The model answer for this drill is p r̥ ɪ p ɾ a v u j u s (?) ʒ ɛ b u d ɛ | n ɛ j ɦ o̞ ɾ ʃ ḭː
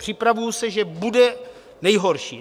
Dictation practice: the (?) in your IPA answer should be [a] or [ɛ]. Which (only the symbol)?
ɛ